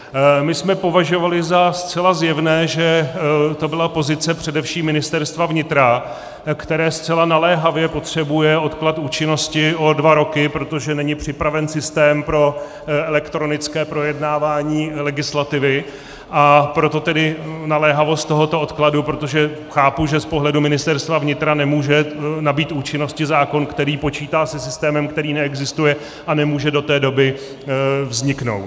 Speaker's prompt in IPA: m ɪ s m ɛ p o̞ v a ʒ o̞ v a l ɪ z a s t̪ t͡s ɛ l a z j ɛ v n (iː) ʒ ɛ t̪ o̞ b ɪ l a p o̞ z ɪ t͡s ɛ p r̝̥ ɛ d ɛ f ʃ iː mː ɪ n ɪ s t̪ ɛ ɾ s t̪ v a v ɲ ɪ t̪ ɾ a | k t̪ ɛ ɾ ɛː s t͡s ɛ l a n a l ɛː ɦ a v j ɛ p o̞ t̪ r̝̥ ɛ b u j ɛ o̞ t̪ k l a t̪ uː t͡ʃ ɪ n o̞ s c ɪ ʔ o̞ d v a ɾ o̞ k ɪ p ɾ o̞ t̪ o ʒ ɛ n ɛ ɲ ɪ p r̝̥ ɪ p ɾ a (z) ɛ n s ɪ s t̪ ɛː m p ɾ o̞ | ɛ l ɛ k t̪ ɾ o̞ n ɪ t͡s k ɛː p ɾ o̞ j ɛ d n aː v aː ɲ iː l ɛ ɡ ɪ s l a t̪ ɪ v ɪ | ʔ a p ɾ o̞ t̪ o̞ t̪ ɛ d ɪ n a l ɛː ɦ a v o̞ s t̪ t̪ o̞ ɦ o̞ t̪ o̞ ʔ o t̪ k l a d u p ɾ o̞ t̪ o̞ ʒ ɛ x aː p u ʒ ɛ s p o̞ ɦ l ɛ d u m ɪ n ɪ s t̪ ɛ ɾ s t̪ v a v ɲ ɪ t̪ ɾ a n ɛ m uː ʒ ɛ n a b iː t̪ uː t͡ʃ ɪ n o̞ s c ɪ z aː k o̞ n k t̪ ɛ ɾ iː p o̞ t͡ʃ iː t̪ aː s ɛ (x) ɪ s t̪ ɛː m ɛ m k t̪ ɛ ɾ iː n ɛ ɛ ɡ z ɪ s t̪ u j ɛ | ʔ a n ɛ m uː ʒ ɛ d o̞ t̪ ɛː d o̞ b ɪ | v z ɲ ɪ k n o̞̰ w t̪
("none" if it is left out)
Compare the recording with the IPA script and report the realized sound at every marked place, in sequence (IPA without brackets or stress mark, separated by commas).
ɛː, v, s